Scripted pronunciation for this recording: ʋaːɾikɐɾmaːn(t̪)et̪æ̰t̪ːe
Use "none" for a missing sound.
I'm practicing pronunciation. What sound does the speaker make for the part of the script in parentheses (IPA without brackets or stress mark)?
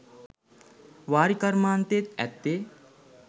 t̪